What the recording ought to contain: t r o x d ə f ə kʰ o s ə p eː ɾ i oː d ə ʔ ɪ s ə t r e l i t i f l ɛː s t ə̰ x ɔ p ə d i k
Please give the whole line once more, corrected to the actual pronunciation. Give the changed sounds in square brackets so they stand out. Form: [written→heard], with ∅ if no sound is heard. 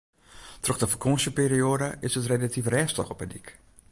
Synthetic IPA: t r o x d ə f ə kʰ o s ə p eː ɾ i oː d ə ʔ ɪ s ə t r e l [i→a] t i f [l→r] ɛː s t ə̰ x ɔ p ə d i k